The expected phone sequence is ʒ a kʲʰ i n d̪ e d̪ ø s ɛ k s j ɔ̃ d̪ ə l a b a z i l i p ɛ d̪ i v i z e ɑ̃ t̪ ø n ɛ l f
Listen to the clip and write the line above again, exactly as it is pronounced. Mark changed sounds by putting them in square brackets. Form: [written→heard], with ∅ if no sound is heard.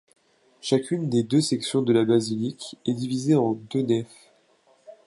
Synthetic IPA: [ʒ→ʃ] a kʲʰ [i→y] n d̪ e d̪ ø s ɛ k s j ɔ̃ d̪ ə l a b a z i l i [p→k] ɛ d̪ i v i z e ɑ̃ [t̪→d̪] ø n ɛ [l→∅] f